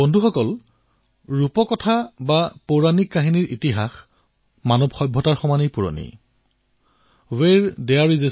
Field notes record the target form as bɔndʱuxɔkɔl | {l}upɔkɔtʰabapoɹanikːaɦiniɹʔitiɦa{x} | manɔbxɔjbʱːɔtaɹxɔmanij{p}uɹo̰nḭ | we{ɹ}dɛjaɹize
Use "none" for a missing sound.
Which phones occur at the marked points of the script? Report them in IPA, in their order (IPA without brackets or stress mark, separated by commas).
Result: ɹ, x, p, ɹ